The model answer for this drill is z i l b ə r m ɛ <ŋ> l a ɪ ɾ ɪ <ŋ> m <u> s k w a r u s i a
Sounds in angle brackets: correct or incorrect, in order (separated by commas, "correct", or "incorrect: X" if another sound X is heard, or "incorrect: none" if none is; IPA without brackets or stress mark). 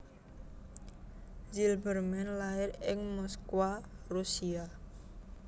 incorrect: n, correct, incorrect: ɔ